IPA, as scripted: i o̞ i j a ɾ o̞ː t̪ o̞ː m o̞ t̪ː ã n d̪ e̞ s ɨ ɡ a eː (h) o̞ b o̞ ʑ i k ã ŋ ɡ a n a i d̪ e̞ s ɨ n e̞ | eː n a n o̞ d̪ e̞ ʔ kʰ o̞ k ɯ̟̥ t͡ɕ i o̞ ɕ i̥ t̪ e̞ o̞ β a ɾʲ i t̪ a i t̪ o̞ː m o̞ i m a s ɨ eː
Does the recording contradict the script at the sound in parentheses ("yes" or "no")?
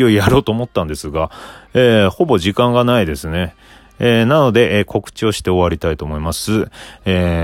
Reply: no